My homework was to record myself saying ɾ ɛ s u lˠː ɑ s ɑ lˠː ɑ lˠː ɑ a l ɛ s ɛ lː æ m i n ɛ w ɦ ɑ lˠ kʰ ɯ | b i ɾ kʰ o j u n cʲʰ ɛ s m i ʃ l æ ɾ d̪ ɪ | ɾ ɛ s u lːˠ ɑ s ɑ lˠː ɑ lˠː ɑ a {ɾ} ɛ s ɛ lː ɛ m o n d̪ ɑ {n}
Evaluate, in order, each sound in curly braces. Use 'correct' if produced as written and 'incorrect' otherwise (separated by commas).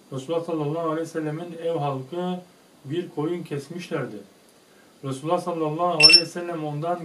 incorrect, correct